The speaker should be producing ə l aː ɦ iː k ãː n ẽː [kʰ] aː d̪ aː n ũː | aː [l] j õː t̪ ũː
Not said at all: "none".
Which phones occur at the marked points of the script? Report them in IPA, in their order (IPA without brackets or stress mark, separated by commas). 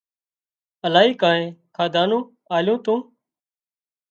kʰ, l